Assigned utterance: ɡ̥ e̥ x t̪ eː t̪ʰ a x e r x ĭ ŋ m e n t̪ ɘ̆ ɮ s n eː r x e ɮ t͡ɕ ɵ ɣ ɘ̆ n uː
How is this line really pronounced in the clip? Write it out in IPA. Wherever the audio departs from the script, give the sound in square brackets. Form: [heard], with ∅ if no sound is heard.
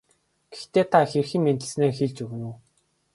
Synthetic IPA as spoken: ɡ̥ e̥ x t̪ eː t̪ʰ a x e r x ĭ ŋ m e n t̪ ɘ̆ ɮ s n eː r x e ɮ t͡ɕ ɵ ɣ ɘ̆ n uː